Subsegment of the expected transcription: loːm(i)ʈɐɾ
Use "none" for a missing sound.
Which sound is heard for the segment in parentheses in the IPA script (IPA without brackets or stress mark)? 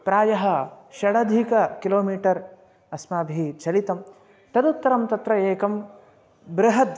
iː